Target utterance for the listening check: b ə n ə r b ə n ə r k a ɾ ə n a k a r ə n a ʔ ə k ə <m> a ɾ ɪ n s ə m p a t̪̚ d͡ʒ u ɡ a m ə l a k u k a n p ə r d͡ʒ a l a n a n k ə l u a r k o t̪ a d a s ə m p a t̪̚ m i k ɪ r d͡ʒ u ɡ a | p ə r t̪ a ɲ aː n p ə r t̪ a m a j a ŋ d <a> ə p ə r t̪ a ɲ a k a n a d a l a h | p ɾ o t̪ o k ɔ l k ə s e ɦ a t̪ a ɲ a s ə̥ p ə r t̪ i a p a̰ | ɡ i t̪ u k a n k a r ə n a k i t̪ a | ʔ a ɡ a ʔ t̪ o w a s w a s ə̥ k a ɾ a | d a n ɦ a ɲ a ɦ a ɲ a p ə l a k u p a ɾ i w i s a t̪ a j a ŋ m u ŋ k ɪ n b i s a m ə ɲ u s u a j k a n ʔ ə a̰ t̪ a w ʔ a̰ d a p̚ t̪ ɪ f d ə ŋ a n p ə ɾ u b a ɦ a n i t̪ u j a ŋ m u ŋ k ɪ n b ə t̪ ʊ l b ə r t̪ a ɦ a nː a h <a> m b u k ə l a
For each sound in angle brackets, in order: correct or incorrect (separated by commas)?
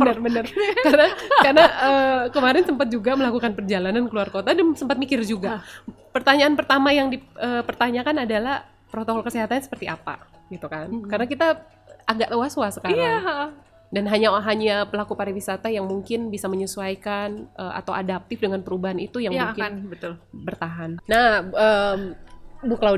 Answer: correct, incorrect, incorrect